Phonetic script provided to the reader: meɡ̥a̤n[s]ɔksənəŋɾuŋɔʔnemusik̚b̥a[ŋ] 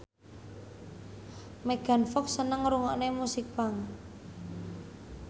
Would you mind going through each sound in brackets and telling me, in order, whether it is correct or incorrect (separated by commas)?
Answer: incorrect, correct